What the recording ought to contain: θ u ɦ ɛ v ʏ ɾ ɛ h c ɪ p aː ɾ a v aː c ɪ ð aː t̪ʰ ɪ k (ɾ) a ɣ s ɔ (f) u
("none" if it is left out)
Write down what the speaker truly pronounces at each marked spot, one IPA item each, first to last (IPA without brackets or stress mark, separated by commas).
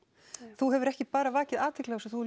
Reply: l, θ